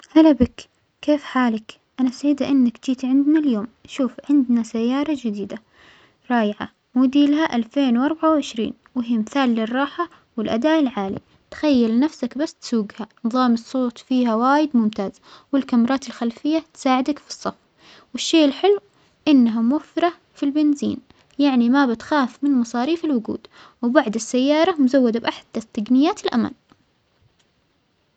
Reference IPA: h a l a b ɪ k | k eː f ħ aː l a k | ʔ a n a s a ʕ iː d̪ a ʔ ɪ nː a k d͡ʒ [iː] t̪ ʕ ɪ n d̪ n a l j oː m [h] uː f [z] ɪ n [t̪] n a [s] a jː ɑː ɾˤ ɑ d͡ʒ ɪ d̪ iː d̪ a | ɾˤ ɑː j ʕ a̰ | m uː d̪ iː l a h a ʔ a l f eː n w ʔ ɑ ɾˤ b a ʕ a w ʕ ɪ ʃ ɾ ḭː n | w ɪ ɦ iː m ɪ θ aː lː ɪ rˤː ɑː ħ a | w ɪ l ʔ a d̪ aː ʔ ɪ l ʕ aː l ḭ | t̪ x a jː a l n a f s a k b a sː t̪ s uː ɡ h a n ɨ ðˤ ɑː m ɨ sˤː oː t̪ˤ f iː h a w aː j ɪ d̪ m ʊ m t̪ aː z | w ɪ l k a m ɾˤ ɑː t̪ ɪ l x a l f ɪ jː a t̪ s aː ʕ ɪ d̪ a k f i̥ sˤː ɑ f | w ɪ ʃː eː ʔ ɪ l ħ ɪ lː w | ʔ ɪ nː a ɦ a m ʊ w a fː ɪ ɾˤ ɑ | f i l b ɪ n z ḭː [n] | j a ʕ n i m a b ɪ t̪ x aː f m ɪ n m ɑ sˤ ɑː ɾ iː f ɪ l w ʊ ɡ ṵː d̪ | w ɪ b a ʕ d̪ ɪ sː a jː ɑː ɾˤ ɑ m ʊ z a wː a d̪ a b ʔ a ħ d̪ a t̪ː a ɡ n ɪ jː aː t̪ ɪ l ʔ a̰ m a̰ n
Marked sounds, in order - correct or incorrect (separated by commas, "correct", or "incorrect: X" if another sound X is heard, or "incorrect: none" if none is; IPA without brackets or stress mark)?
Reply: correct, incorrect: ʃ, incorrect: ʕ, incorrect: d̪, correct, correct